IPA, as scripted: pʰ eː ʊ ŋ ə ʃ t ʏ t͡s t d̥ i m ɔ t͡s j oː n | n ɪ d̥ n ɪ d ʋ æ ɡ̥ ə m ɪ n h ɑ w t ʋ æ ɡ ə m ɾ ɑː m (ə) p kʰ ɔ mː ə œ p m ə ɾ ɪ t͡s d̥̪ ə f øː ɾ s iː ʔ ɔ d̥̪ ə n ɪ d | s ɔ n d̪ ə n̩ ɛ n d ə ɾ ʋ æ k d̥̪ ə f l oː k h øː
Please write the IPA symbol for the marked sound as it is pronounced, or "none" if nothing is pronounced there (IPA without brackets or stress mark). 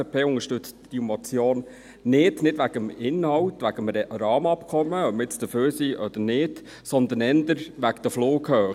ɑ